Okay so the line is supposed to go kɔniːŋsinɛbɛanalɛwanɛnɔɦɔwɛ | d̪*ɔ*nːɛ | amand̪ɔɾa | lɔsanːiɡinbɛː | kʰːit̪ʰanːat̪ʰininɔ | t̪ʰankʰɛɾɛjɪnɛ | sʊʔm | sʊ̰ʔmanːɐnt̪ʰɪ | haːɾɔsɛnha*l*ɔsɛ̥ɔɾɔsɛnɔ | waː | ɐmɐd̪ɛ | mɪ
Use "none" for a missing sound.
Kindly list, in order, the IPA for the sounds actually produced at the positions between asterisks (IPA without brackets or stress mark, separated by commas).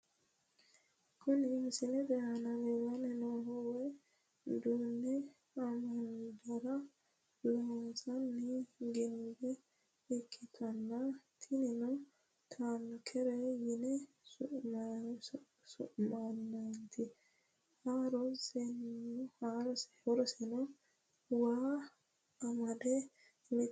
u, ɾ